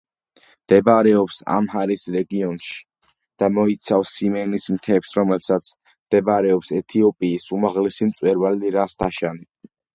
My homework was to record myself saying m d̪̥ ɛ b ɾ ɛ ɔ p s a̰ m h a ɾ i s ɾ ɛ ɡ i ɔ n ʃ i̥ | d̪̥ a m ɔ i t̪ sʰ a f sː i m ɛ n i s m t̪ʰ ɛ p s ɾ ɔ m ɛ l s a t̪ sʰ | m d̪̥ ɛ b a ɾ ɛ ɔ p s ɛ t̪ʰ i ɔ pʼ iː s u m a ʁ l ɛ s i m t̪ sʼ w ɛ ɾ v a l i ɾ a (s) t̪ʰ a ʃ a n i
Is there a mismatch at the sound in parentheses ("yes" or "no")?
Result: no